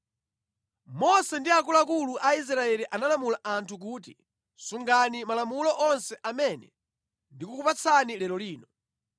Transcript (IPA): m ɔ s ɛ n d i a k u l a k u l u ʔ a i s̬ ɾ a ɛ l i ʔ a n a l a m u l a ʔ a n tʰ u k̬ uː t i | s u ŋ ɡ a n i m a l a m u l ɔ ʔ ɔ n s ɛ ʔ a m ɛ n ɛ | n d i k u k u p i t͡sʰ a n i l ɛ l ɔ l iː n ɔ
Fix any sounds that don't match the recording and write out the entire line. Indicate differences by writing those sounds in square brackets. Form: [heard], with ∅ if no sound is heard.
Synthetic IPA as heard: m ɔ s ɛ n d i a k u l a k u l u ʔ a i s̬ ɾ a ɛ l i ʔ a n a l a m u l a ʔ a n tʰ u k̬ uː t i | s u ŋ ɡ a n i m a l a m u l ɔ ʔ ɔ n s ɛ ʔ a m ɛ n ɛ | n d i k u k u p [a] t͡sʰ a n i l ɛ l ɔ l iː n ɔ